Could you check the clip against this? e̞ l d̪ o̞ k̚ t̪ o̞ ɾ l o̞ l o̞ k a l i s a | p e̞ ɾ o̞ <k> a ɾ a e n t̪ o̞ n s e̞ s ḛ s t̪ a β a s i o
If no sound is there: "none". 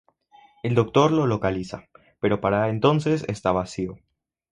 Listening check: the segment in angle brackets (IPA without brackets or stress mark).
p